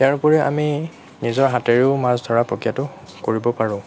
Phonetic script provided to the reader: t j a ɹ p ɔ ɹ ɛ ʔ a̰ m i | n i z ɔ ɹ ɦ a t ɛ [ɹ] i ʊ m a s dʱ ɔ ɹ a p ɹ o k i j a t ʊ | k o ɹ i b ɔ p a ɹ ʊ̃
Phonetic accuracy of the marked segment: correct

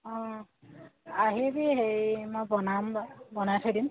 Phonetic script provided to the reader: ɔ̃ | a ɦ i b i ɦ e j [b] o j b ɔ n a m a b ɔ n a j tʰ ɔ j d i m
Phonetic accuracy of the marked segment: incorrect: m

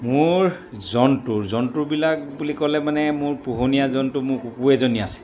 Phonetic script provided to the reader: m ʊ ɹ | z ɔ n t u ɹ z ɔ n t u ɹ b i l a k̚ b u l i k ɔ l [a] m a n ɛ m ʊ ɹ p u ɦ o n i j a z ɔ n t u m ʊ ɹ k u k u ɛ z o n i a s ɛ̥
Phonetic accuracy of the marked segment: incorrect: ɛ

